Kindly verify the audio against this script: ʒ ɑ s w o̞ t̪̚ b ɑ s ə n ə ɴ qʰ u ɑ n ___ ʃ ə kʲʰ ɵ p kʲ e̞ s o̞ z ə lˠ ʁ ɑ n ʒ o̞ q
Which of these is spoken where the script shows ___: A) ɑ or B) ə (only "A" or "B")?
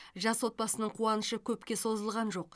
B